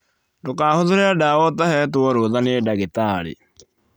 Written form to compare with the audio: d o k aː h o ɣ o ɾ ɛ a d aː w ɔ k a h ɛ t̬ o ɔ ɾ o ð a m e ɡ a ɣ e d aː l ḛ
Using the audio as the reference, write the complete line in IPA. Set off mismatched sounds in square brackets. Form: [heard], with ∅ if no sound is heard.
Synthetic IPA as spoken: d o k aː h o [ð] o ɾ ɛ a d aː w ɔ [t] a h ɛ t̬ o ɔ ɾ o ð a [n] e [d] a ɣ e [t] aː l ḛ

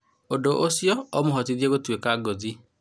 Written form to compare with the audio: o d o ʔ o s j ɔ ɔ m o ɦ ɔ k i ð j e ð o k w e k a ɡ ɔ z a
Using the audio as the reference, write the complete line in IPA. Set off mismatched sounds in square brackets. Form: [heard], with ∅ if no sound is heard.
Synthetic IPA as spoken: o d o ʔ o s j ɔ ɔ m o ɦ ɔ [t] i ð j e [ɣ] o [t] w e k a ɡ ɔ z [i]

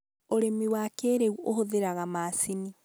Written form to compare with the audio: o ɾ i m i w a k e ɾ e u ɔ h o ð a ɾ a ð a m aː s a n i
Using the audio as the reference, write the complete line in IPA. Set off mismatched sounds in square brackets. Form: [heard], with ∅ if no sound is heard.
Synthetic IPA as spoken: o ɾ [e] m i w a k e ɾ e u [o] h o ð [e] ɾ a [ɣ] a m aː s [i] n i

